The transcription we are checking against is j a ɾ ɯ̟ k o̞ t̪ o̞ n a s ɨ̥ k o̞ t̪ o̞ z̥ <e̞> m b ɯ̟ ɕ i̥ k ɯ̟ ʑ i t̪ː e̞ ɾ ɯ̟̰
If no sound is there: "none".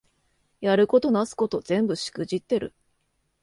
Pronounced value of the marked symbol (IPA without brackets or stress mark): ẽ̞